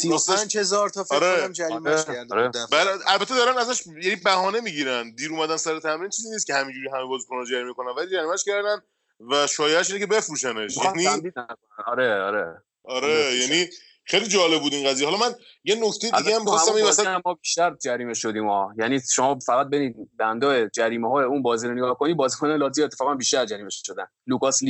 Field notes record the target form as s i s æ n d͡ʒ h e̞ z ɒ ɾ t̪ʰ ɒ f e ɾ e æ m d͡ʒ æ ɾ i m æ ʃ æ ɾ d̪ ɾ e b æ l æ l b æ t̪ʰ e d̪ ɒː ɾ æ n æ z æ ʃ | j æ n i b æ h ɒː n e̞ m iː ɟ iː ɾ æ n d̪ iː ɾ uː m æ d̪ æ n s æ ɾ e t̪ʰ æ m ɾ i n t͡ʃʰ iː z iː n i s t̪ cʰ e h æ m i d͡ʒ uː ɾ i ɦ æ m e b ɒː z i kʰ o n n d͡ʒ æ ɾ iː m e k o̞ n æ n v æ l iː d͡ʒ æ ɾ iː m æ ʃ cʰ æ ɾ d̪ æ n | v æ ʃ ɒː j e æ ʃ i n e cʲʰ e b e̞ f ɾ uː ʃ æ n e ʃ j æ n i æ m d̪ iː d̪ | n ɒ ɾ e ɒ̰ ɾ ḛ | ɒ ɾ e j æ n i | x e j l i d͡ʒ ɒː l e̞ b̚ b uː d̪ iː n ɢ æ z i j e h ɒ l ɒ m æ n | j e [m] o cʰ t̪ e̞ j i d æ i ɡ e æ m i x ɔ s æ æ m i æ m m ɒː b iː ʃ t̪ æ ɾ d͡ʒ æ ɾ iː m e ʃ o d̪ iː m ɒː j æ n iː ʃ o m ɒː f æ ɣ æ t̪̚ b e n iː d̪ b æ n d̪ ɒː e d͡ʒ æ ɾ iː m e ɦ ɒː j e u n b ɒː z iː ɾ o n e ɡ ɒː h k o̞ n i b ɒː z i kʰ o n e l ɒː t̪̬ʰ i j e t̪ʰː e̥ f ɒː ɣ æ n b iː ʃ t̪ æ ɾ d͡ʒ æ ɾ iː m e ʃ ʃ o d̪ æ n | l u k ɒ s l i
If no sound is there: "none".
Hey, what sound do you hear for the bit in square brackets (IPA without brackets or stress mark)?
n